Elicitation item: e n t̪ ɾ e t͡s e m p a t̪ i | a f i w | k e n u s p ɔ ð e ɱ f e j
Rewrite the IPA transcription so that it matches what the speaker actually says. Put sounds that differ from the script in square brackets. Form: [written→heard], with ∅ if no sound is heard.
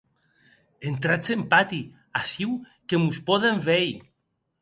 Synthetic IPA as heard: e n t̪ ɾ [e→a] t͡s e m p a t̪ i | a [f→s] i w | k e [n→m] u s p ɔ ð e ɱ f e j